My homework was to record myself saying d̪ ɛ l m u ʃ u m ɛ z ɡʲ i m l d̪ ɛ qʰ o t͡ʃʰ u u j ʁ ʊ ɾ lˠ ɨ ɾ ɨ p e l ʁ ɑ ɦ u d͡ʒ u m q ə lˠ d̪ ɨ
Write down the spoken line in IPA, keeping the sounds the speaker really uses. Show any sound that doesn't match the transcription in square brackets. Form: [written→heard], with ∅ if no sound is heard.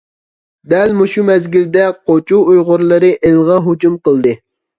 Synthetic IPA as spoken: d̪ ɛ l m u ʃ u m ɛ z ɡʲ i [m→∅] l d̪ ɛ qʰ o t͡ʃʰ u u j ʁ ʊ ɾ lˠ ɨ ɾ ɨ [p→ʔ] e l ʁ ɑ ɦ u d͡ʒ u m q ə lˠ d̪ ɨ

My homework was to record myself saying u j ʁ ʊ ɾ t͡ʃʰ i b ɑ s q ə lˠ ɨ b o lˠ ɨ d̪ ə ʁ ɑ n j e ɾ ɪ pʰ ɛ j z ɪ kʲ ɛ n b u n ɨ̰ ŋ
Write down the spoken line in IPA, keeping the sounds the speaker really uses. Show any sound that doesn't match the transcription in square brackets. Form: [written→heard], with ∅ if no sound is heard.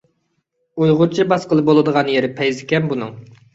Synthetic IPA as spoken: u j ʁ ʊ ɾ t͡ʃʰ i b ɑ s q ə lˠ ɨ b o lˠ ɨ d̪ ə ʁ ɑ n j e ɾ ɪ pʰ ɛ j z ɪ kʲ ɛ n b u n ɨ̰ ŋ

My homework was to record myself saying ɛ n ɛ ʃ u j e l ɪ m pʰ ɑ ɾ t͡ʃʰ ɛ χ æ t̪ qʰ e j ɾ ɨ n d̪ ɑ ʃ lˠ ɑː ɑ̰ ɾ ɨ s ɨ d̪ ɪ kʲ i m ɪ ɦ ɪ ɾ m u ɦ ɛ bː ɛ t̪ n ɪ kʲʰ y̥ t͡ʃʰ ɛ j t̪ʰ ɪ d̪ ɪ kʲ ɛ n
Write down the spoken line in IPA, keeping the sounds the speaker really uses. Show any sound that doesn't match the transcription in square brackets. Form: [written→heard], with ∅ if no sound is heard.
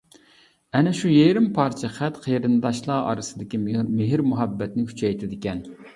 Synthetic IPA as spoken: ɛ n ɛ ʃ u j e [l→ɾ] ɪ m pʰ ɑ ɾ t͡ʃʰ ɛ χ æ t̪ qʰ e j ɾ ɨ n d̪ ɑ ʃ lˠ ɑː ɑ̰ ɾ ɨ s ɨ d̪ ɪ kʲ i m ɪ ɦ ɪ ɾ m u ɦ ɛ bː ɛ t̪ n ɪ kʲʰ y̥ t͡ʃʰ ɛ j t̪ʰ ɪ d̪ ɪ kʲ ɛ n

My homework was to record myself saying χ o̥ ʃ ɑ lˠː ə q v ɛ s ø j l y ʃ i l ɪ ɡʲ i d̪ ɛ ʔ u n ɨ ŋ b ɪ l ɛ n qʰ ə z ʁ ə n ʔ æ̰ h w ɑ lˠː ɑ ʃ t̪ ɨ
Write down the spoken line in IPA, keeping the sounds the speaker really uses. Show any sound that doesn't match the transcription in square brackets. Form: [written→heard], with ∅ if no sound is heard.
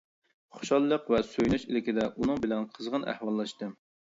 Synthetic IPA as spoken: χ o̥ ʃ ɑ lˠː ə q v ɛ s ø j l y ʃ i l ɪ [ɡʲ→kʲ] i d̪ ɛ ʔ u n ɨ ŋ b ɪ l ɛ n qʰ ə z ʁ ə n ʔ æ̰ h w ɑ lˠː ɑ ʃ t̪ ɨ

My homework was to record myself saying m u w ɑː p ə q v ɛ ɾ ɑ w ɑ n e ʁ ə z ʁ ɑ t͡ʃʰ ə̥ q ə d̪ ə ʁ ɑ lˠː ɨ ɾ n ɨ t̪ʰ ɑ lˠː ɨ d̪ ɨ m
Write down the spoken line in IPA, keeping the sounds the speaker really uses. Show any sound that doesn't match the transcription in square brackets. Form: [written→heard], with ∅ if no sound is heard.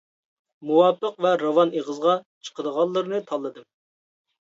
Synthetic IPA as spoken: m u w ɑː p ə q v ɛ ɾ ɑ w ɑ n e ʁ ə z ʁ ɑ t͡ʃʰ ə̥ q ə d̪ ə ʁ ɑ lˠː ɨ ɾ n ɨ t̪ʰ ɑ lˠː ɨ d̪ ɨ m

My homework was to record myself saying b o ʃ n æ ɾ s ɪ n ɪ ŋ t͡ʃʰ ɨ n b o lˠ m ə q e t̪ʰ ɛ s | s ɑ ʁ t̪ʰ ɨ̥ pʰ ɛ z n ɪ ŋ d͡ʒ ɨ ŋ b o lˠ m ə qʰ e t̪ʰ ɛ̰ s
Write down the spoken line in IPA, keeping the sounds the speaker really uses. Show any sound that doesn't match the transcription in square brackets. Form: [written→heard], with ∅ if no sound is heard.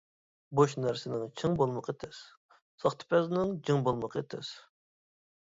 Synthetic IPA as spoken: b o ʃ n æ ɾ s ɪ n ɪ ŋ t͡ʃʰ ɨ [n→ŋ] b o lˠ m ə q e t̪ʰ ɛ s | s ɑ [ʁ→χ] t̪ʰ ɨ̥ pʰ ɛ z n ɪ ŋ d͡ʒ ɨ ŋ b o lˠ m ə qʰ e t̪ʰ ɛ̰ s

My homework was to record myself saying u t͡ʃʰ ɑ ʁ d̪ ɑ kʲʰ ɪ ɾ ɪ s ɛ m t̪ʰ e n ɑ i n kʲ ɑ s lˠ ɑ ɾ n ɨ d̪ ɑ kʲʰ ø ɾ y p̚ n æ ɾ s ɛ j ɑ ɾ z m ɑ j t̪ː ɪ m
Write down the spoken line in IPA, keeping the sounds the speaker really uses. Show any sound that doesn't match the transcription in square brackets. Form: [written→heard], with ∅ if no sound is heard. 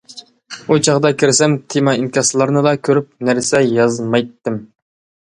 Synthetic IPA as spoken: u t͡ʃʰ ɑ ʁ d̪ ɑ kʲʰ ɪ ɾ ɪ s ɛ m t̪ʰ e [n→m] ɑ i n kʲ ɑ s lˠ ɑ ɾ n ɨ d̪ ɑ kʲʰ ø ɾ y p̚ n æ ɾ s ɛ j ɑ [ɾ→∅] z m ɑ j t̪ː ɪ m

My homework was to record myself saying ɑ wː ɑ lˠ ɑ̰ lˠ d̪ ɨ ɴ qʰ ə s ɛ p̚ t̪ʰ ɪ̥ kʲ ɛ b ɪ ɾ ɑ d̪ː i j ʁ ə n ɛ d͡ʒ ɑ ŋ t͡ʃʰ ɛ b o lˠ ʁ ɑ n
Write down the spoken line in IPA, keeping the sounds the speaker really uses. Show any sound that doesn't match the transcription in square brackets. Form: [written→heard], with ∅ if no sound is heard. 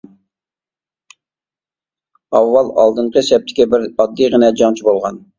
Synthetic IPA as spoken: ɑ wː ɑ lˠ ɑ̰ lˠ d̪ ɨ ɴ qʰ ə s ɛ p̚ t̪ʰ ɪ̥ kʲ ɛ b ɪ ɾ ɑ d̪ː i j ʁ ə n ɛ d͡ʒ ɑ ŋ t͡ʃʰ [ɛ→i] b o lˠ ʁ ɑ n

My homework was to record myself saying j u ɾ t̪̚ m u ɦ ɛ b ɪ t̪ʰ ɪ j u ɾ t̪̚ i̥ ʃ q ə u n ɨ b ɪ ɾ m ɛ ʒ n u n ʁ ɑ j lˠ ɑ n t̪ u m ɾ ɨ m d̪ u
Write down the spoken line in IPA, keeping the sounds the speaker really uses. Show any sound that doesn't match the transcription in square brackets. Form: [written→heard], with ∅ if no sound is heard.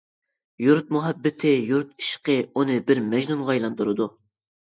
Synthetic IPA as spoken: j u ɾ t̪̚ m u ɦ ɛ [b→bː] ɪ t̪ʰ ɪ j u ɾ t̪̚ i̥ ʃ q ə u n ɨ b ɪ ɾ m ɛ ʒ n u n ʁ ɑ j lˠ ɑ n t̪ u [m→∅] ɾ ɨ [m→∅] d̪ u

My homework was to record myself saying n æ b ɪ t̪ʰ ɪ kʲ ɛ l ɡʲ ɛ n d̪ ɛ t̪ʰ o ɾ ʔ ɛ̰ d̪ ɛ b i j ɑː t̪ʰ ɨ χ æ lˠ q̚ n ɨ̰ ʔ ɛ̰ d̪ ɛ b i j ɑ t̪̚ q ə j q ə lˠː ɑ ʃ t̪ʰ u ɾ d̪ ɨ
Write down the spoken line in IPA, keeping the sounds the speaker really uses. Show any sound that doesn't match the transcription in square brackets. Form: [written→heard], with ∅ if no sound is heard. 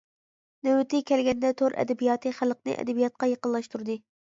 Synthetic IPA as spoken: n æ [b→w] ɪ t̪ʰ ɪ kʲ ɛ l ɡʲ ɛ n d̪ ɛ t̪ʰ o ɾ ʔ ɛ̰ d̪ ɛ b i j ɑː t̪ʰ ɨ χ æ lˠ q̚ n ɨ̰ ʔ ɛ̰ d̪ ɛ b i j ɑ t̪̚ q [ə→ɑ] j q ə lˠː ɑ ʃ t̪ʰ u ɾ d̪ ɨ

